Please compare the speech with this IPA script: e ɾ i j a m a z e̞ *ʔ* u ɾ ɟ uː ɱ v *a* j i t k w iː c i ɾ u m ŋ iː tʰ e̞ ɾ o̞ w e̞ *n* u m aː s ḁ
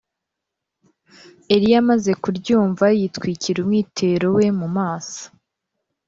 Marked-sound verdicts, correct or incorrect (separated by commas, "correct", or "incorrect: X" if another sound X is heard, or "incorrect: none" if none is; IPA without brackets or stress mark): incorrect: k, correct, incorrect: m